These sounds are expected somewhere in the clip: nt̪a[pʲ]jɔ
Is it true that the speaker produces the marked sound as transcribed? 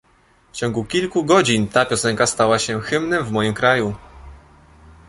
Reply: yes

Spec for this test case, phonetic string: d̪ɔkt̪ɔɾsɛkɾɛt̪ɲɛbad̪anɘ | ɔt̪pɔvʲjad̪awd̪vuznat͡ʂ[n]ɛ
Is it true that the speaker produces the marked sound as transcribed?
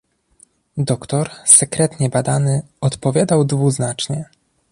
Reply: no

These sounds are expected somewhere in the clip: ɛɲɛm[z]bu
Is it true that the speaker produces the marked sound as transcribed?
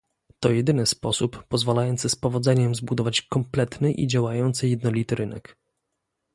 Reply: yes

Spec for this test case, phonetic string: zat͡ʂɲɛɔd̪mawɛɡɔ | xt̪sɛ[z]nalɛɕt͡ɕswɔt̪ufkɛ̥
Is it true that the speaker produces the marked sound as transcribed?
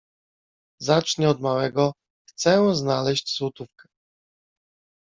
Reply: yes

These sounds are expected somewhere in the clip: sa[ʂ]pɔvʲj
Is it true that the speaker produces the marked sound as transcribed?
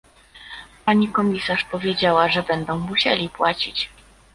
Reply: yes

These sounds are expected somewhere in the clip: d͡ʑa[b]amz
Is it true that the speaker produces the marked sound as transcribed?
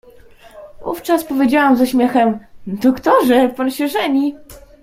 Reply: no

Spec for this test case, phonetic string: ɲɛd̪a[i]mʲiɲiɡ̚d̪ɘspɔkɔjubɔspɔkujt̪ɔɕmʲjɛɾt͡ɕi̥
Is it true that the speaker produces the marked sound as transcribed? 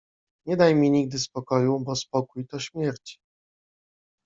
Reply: no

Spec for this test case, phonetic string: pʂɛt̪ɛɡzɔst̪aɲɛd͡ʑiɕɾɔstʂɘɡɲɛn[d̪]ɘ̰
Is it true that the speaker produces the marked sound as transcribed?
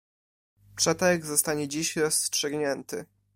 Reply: no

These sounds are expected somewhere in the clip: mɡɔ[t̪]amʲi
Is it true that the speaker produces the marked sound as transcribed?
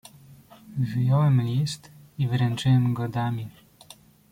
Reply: no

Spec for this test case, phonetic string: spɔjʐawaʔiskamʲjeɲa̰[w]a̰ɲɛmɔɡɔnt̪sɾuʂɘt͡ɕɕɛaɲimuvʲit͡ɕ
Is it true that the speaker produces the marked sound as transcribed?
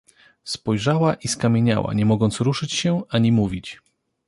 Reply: yes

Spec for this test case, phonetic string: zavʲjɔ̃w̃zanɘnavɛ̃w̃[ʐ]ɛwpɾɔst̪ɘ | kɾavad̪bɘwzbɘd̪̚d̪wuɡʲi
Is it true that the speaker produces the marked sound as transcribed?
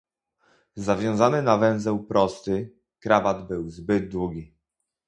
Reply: no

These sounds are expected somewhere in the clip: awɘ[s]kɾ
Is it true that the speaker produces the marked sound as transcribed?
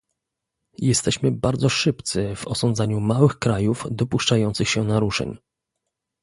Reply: no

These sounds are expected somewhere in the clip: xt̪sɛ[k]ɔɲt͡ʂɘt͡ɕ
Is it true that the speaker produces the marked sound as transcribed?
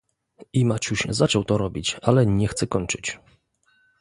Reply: yes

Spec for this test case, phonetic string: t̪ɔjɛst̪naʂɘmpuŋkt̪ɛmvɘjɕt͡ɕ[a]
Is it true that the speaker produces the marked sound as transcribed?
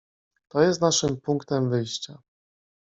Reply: yes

